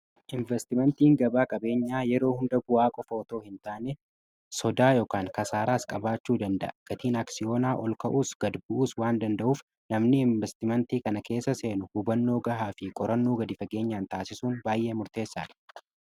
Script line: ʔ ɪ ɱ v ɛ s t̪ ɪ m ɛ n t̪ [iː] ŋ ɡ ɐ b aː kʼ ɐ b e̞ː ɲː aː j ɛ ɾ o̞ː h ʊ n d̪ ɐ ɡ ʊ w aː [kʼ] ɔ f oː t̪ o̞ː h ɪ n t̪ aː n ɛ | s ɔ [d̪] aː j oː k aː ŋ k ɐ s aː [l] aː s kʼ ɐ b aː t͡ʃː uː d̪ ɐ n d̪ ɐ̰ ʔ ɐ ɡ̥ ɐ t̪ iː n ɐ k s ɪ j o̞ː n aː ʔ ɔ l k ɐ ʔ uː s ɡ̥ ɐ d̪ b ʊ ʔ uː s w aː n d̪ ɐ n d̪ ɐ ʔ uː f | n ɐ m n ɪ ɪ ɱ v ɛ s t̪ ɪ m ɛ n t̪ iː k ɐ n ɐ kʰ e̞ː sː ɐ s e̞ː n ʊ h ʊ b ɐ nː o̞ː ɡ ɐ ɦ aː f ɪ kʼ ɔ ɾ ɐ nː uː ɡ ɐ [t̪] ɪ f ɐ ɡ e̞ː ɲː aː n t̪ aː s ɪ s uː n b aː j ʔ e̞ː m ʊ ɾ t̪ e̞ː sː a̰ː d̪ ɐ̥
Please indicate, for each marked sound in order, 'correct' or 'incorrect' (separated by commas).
correct, correct, correct, incorrect, incorrect